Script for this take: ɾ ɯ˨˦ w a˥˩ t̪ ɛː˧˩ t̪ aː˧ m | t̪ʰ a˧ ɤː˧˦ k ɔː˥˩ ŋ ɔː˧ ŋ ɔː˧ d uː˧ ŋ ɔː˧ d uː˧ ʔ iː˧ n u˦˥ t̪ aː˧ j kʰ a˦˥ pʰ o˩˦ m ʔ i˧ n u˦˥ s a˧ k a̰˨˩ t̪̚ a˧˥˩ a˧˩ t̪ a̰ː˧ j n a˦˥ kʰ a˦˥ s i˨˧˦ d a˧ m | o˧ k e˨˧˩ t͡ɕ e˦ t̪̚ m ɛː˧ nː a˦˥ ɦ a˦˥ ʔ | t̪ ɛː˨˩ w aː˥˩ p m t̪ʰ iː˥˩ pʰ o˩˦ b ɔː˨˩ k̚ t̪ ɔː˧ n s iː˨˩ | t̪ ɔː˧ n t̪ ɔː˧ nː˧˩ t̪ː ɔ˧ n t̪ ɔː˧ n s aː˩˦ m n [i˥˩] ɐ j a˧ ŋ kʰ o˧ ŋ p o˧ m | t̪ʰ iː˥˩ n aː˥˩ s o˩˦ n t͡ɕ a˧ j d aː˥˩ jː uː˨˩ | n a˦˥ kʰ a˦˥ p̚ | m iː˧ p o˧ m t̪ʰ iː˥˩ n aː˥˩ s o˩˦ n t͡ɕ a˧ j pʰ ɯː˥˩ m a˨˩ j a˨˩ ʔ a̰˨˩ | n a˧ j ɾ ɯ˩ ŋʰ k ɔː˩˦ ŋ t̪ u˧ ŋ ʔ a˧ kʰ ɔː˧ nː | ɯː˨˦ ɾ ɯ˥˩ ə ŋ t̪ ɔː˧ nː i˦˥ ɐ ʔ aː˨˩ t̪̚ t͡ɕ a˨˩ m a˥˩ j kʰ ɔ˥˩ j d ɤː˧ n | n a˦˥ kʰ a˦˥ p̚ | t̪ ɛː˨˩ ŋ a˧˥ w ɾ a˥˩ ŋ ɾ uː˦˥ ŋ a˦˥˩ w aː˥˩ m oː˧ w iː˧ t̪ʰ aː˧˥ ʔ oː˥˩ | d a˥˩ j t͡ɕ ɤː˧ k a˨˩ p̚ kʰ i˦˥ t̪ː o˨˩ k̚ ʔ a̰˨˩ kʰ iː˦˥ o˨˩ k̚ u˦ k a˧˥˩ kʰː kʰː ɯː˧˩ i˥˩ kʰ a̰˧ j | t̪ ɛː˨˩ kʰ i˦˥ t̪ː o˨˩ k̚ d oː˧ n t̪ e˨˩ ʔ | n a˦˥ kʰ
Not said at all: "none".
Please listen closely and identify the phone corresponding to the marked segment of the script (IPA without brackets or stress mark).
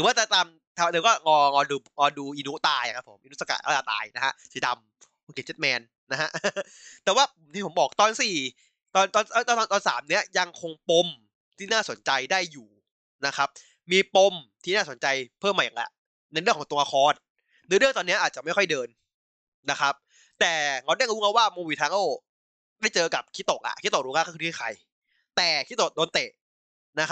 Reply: i˦˥